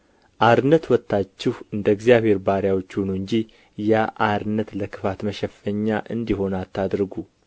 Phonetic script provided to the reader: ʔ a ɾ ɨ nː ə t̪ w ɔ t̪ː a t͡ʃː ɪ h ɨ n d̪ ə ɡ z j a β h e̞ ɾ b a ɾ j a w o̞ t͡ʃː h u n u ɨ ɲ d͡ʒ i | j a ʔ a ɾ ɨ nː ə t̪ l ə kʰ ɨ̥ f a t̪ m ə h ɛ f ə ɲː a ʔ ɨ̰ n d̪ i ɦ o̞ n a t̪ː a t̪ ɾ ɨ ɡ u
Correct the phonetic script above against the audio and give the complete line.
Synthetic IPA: ʔ a ɾ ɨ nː ə t̪ w ɔ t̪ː a t͡ʃː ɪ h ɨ n d̪ ə ɡ z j a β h e̞ ɾ b a ɾ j a w o̞ t͡ʃː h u n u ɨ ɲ d͡ʒ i | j a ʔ a ɾ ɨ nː ə t̪ l ə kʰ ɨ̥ f a t̪ m ə ʃ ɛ f ə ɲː a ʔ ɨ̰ n d̪ i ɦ o̞ n a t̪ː a d̪ ɾ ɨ ɡ u